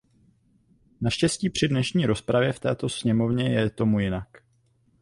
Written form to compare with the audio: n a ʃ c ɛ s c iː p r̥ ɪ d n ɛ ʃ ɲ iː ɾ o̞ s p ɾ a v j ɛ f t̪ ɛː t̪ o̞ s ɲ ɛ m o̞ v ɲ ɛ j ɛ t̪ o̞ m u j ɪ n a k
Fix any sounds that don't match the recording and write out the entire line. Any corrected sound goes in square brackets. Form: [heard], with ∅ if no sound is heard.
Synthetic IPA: n a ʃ c ɛ s c iː p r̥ ɪ d n ɛ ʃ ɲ iː ɾ o̞ s p ɾ a v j ɛ f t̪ ɛː t̪ o̞ s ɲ ɛ m o̞ v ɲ ɛ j ɛ t̪ o̞ m u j ɪ n a k